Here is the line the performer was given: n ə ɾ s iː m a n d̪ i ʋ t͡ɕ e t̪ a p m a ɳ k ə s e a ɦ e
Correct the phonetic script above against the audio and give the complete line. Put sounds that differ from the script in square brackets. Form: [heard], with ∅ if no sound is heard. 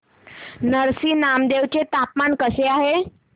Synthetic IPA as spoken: n ə ɾ s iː [n] a [m] d̪ [e] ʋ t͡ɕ e t̪ a p m a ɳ k ə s e a ɦ e